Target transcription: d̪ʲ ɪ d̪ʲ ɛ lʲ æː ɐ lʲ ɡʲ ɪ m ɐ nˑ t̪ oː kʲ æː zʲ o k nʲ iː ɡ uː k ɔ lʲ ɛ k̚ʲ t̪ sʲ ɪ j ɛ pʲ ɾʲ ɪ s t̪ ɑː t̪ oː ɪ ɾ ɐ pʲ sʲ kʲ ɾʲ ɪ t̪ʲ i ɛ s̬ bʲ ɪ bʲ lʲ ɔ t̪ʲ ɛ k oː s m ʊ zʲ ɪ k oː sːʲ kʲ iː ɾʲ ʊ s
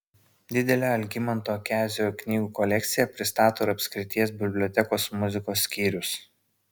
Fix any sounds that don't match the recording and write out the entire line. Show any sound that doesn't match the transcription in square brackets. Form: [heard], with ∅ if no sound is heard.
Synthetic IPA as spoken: d̪ʲ ɪ d̪ʲ ɛ lʲ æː ɐ lʲ ɡʲ ɪ m ɐ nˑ t̪ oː kʲ æː zʲ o k nʲ iː ɡ uː k ɔ lʲ ɛ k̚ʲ t̪ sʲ ɪ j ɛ pʲ ɾʲ ɪ s t̪ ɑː t̪ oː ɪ ɾ ɐ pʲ sʲ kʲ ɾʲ ɪ t̪ʲ i ɛ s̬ bʲ ɪ bʲ lʲ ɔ t̪ʲ ɛ k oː s m ʊ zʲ ɪ k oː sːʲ kʲ iː ɾʲ ʊ s